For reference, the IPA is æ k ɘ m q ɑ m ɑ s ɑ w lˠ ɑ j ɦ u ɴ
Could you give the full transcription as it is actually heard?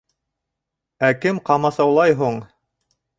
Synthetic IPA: æ k ɘ m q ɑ m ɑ s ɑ w lˠ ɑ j ɦ u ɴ